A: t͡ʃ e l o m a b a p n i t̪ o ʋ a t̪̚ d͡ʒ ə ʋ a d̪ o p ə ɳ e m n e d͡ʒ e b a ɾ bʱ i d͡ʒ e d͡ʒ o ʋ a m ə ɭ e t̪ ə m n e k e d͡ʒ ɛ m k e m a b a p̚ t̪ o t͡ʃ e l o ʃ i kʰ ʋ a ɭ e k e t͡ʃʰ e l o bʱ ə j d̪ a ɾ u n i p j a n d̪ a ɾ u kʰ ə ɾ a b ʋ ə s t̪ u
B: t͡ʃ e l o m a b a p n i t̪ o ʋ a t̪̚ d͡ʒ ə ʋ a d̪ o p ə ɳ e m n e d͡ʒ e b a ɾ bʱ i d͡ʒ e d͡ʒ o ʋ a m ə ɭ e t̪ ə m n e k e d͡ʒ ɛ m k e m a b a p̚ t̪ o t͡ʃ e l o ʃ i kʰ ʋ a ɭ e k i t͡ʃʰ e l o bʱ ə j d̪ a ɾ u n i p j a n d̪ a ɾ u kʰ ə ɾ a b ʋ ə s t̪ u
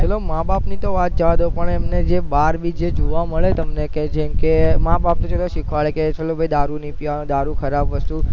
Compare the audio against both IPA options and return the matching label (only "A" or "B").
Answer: A